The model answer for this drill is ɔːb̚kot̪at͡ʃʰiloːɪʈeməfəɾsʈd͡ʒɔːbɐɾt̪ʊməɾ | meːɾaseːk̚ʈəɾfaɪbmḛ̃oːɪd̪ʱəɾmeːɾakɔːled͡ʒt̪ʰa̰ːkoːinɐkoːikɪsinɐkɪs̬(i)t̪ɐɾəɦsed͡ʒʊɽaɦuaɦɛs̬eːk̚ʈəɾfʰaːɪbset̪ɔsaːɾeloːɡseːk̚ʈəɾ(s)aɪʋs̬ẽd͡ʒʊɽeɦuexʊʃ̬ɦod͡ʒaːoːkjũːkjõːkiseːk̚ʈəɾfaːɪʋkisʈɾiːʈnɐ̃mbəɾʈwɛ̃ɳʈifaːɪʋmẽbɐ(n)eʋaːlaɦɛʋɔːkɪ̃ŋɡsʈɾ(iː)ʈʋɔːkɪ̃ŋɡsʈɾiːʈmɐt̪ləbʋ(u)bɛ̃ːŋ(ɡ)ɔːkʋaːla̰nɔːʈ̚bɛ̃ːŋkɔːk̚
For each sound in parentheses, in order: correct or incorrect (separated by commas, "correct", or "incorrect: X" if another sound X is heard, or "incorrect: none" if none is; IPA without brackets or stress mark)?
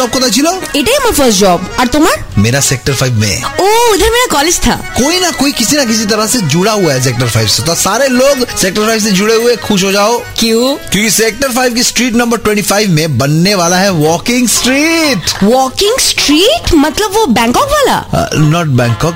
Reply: correct, incorrect: f, incorrect: nː, correct, incorrect: o, incorrect: k